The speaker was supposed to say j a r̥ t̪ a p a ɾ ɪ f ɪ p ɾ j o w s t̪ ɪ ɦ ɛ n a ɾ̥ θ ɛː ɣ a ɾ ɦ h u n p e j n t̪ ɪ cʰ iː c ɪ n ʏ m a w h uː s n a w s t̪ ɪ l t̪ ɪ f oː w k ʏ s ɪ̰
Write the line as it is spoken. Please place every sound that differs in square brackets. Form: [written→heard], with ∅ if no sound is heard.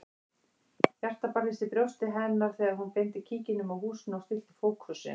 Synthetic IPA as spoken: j a r̥ t̪ a p a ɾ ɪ [f→s] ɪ p ɾ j o w s t̪ ɪ ɦ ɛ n a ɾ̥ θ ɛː ɣ a ɾ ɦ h u n p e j n t̪ ɪ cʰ iː c ɪ n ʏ m a w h uː s n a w s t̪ ɪ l t̪ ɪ f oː w k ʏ s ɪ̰